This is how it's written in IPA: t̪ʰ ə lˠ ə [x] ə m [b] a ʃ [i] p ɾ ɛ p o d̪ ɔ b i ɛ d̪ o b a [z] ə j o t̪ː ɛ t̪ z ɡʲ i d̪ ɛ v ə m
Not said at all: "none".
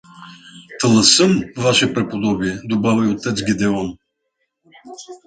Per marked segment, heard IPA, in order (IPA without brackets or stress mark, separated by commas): s, v, ɛ, v